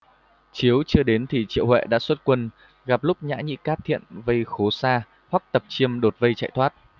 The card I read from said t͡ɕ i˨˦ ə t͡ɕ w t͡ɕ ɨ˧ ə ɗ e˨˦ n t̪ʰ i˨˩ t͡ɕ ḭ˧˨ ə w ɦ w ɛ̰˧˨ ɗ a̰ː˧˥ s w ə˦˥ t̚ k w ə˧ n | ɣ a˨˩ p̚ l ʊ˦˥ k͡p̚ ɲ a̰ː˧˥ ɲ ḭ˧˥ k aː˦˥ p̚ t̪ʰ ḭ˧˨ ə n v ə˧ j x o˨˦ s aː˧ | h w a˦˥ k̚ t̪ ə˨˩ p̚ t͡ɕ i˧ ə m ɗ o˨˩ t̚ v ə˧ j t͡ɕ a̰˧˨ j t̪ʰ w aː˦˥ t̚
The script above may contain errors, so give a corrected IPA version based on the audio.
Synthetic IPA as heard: t͡ɕ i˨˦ ə w t͡ɕ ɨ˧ ə ɗ e˨˦ n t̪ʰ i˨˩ t͡ɕ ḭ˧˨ ə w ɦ w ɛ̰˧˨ ɗ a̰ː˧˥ s w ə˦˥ t̚ k w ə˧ n | ɣ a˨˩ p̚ l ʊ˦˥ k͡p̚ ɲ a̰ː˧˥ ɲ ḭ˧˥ k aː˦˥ p̚ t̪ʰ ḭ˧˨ ə n v ə˧ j x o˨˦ s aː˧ | h w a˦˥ k̚ t̪ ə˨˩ p̚ t͡ɕ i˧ ə m ɗ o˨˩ t̚ v ə˧ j t͡ɕ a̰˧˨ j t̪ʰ w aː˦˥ t̚